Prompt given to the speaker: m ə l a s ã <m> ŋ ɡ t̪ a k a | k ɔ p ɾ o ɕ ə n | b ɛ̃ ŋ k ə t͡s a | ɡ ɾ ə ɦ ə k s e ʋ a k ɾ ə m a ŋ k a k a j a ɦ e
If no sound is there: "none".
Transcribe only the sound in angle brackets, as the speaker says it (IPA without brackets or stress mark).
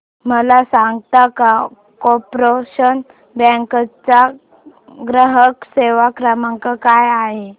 none